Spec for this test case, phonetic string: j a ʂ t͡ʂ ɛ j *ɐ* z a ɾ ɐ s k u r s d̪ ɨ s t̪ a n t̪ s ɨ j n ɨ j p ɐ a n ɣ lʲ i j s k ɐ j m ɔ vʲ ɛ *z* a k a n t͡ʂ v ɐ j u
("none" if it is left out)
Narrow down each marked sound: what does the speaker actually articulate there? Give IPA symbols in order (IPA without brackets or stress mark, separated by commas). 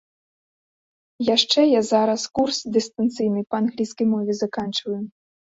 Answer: a, z